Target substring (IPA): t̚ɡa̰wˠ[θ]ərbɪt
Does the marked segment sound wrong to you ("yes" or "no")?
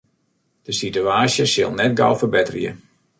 yes